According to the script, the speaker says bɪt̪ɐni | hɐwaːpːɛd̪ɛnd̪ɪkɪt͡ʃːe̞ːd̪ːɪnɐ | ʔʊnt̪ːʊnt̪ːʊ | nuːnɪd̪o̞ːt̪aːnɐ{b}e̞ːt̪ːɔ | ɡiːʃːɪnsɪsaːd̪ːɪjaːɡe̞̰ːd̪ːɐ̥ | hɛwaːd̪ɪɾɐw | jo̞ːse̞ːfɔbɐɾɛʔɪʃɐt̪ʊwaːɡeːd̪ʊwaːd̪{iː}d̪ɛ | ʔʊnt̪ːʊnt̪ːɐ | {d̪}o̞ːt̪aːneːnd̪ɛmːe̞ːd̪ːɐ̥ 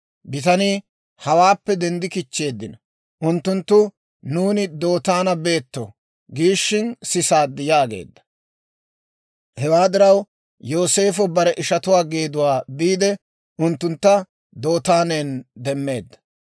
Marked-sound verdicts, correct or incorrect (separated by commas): correct, correct, correct